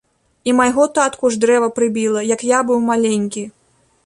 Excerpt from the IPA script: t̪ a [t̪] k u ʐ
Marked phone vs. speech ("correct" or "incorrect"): correct